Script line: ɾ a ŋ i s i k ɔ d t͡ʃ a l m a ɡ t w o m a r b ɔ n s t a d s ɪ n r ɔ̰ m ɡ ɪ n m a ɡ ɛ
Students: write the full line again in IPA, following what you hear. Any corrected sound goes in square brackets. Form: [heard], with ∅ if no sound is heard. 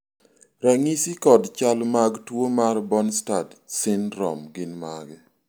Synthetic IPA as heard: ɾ a ŋ i s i k ɔ d t͡ʃ a l m a ɡ t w o m a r b ɔ n s t a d s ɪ n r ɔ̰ m ɡ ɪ n m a ɡ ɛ